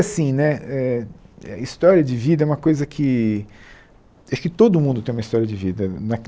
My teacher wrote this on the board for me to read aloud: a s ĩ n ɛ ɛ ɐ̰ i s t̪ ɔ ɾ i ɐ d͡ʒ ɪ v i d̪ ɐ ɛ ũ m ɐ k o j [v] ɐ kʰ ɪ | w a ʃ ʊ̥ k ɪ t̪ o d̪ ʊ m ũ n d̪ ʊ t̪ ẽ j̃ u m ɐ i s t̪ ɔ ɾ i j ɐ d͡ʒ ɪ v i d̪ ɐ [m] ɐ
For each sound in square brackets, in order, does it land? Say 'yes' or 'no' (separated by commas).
no, no